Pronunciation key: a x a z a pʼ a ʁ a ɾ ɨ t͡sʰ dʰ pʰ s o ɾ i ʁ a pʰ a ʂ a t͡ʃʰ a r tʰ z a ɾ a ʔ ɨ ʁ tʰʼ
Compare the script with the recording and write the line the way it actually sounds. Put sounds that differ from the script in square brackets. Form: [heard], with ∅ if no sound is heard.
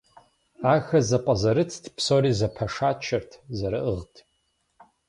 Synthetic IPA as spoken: a x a z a pʼ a [z] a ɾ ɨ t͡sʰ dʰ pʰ s o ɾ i [z] a pʰ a ʂ a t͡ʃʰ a r tʰ z a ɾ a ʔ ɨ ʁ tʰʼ